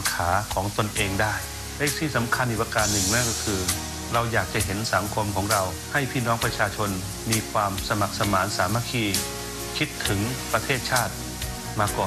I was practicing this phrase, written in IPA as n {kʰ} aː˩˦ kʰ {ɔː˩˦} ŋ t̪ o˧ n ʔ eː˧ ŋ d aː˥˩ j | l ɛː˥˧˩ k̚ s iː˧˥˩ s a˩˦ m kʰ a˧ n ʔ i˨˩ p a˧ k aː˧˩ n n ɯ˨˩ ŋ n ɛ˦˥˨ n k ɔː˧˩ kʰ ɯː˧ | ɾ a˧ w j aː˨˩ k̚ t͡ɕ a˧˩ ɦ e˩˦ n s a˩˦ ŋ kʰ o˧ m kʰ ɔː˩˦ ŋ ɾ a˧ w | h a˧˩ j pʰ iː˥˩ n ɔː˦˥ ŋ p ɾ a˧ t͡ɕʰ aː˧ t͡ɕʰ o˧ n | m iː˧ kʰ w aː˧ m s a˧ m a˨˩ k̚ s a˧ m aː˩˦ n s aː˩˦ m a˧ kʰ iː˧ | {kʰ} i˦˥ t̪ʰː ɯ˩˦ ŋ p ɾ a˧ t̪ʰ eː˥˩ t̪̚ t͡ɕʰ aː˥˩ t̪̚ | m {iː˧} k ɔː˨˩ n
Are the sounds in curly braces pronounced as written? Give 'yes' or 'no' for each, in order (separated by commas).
yes, yes, yes, no